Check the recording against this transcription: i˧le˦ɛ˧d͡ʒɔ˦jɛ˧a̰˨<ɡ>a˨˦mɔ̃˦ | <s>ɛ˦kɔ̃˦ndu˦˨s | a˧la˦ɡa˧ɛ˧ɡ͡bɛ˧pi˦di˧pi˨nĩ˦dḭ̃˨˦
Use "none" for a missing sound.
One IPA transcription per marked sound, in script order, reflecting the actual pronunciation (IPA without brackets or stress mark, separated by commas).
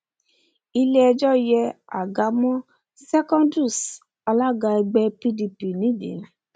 ɡ, s